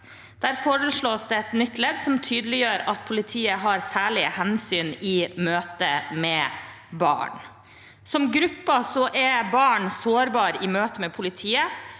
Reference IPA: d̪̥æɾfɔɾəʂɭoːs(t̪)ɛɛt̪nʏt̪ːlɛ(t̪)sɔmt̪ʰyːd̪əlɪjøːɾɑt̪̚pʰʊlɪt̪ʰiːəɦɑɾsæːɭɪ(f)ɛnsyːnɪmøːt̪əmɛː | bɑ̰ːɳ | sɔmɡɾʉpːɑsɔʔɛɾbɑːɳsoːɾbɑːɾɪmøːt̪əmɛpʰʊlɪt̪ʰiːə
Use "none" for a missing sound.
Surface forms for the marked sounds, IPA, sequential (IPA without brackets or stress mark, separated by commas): d̪, d̪, h